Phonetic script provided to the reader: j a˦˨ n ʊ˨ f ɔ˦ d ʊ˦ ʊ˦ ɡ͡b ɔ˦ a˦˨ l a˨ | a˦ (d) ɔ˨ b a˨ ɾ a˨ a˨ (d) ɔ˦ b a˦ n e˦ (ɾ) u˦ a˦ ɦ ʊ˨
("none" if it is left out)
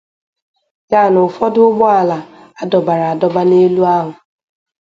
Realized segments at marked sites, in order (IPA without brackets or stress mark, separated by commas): d, d, l